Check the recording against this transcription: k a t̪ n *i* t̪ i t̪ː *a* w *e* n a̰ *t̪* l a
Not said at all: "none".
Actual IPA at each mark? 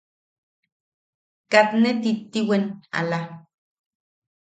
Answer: e, i, e, none

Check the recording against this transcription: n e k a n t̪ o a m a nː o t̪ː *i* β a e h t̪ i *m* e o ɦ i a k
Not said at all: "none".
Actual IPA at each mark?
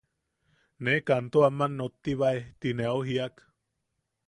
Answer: i, n

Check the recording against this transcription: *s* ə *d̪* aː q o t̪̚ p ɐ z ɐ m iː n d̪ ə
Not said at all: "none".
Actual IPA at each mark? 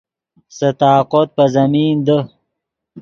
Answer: s, t̪

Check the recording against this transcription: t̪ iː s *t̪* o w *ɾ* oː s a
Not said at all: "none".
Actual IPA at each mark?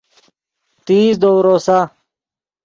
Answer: d̪, ɾ

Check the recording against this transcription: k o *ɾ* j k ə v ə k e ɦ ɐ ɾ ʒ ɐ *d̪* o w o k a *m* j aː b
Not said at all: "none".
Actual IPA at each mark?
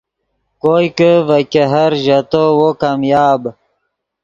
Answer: none, t̪, m

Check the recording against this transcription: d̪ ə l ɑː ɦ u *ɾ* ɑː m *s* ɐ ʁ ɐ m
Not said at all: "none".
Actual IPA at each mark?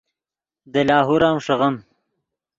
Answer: ɾ, ʂ

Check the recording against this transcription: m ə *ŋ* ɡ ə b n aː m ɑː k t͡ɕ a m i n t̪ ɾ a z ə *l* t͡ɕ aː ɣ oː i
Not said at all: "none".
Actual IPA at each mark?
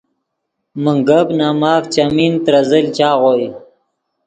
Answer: ŋ, l

